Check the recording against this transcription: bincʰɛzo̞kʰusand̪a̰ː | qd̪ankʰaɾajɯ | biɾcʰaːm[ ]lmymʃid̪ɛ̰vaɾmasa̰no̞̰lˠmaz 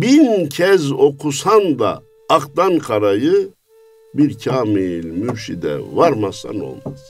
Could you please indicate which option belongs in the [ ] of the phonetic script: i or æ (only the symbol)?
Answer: i